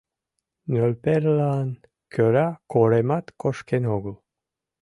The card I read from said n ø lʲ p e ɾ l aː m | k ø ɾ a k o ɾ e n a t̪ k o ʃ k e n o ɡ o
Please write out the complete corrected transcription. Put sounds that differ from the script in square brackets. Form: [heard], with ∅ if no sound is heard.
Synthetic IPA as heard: n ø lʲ p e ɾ l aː [n] | k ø ɾ a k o ɾ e [m] a t̪ k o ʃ k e n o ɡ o